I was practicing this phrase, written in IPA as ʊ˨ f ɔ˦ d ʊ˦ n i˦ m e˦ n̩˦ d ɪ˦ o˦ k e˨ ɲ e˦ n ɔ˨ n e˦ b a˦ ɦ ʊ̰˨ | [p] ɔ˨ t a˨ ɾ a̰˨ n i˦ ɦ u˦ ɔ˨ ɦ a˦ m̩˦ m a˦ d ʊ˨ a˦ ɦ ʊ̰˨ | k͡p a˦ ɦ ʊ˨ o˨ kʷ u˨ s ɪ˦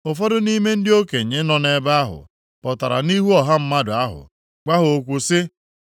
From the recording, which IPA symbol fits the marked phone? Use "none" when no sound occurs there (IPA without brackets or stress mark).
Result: p